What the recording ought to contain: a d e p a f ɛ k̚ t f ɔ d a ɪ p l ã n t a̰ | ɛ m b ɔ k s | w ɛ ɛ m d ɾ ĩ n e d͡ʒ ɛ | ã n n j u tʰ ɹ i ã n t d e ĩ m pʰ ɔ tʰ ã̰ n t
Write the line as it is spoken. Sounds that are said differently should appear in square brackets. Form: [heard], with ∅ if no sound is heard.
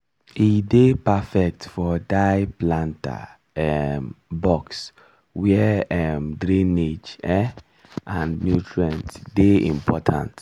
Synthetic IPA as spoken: [i] d e p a f ɛ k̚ t f ɔ d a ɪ p l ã n t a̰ | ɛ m b ɔ k s | w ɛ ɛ m d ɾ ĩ n e d͡ʒ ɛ | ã n n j u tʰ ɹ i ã n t d e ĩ m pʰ ɔ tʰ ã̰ n t

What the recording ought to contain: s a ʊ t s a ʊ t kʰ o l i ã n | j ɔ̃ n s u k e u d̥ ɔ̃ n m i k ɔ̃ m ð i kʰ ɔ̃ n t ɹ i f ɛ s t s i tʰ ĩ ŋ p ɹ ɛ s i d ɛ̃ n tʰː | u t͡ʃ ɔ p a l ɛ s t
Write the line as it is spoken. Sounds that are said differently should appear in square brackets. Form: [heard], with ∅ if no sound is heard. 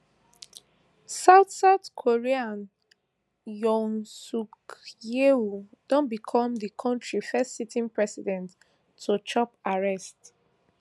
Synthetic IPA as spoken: s a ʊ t s a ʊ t kʰ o [ɹ] i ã n | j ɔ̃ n s u k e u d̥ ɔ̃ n [b] i [kʰ] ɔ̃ m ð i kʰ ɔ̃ n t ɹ i f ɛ s t s i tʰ ĩ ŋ p ɹ ɛ s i d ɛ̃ n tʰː | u t͡ʃ ɔ p a [ɹ] ɛ s t

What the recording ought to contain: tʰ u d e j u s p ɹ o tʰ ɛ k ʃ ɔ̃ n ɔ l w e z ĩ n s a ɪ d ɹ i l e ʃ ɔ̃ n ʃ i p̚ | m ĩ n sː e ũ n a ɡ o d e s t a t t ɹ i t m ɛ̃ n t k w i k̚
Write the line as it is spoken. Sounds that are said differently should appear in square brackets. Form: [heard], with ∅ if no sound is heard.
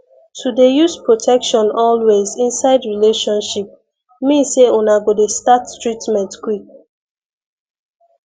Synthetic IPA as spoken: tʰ u d e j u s p ɹ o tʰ ɛ k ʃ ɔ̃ n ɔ l w e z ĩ n s a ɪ d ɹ i l e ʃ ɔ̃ n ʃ i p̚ | m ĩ n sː e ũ n a ɡ o d e s t a t t ɹ i t m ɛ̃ n t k w i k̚

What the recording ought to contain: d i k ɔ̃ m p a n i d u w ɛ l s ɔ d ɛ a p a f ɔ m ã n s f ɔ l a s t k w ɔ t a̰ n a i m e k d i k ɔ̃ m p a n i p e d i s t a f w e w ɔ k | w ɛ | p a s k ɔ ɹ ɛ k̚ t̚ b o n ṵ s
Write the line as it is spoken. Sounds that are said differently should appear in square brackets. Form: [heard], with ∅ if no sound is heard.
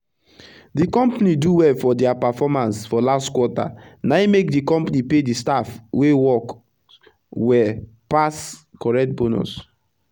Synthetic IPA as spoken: d i k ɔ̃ m p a n i d u w ɛ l [f] ɔ d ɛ a p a f ɔ m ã n s f ɔ l a s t k w ɔ t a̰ n a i m e k d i k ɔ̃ m p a n i p e d i s t a f w e w ɔ k | w ɛ | p a s k ɔ ɹ ɛ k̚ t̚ b o n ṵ s

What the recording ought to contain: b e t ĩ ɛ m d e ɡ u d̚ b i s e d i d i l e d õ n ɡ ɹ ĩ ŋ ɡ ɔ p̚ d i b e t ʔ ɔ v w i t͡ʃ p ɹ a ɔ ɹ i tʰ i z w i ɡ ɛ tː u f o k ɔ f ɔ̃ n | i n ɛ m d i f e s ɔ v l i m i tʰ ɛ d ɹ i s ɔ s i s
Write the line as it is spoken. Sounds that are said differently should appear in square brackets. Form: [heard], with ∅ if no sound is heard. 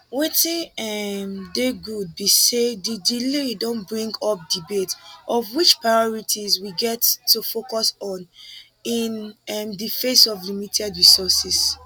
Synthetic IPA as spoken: [w] e t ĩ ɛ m d e ɡ u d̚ b i s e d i d i l e d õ n [b] ɹ ĩ ŋ ɡ ɔ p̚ d i b e t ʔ ɔ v w i t͡ʃ p ɹ a ɔ ɹ i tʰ i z w i ɡ ɛ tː u f o k ɔ [s] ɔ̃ n | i n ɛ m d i f e s ɔ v l i m i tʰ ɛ d ɹ i s ɔ s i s

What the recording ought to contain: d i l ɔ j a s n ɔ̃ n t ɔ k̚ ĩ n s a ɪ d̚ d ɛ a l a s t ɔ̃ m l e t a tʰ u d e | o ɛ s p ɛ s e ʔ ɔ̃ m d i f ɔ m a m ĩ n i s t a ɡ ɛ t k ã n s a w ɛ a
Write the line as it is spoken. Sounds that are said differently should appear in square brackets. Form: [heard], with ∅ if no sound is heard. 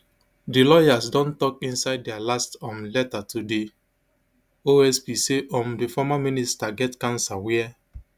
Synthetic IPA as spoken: d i l ɔ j a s [d] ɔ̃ n t ɔ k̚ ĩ n s a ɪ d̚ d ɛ a l a s t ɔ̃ m l [ɛ] t a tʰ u d e | o ɛ s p [i] s e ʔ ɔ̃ m d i f ɔ m a m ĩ n i s t a ɡ ɛ t k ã n s a w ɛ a

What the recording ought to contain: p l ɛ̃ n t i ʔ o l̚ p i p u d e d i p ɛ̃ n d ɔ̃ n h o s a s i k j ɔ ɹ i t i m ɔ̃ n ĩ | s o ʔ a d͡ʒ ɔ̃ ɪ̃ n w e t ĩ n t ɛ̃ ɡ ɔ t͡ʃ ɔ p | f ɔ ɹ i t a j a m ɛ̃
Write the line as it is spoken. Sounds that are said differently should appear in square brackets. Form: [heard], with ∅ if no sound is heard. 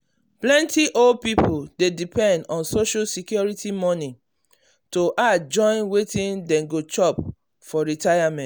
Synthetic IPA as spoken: p l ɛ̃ n t i ʔ o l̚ p i p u d e d i p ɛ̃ n d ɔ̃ n [s] o [ʃ] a s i k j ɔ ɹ i t i m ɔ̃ n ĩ | [t] o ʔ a d͡ʒ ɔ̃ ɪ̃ n w e t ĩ n [d] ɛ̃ ɡ [o] t͡ʃ ɔ p | f ɔ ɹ i t a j a m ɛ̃

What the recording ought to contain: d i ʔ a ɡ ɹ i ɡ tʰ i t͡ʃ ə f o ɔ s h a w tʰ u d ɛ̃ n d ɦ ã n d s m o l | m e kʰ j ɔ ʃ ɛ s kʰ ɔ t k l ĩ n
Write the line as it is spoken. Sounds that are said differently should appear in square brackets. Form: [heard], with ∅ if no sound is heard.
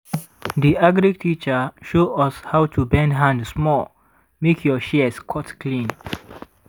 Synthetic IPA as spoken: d i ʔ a ɡ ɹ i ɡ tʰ i t͡ʃ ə [ʃ] o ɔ s h a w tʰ u [b] ɛ̃ n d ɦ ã n d s m [ɔ] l | m e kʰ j ɔ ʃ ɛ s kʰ ɔ t k l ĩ n

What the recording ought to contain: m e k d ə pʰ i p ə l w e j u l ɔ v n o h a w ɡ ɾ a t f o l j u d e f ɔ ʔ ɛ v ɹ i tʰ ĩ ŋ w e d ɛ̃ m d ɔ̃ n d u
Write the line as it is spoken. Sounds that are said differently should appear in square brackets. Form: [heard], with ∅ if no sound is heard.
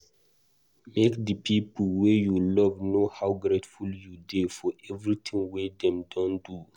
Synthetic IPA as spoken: m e k d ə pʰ i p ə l w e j u l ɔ v n o h a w ɡ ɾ [e] t f [u] l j u d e f ɔ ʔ ɛ v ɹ i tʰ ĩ ŋ w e d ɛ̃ m d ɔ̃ n d u

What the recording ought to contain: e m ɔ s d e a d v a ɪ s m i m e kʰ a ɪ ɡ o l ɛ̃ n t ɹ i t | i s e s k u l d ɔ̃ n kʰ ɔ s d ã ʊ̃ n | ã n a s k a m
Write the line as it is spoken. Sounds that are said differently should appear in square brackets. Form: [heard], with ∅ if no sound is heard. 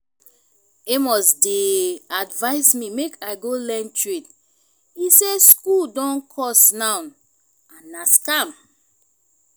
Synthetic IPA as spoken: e m ɔ s d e a d v a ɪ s m i m e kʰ a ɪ ɡ o l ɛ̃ n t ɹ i t | i s e s k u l d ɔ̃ n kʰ ɔ s [n] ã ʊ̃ n | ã n a s k a m

